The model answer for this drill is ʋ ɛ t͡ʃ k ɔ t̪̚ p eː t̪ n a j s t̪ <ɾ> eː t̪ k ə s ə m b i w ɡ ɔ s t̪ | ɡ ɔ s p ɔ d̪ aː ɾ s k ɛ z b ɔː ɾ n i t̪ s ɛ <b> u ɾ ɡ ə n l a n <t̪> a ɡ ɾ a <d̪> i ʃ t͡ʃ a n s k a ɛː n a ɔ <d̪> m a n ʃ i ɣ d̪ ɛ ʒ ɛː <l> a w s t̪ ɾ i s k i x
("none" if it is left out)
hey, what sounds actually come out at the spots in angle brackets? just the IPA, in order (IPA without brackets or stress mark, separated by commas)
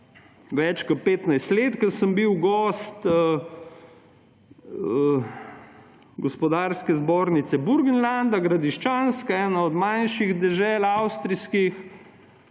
l, b, d̪, d̪, d̪, l